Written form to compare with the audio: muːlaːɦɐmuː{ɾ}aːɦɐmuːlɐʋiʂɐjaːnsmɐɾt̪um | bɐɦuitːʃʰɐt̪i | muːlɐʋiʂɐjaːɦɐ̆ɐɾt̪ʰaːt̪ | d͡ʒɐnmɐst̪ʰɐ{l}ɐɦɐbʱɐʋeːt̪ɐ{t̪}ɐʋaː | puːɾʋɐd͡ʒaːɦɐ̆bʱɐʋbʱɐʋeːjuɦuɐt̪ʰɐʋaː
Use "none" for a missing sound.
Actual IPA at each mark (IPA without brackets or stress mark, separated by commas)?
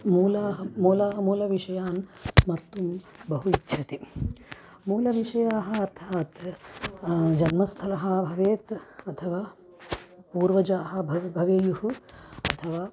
l, l, t̪ʰ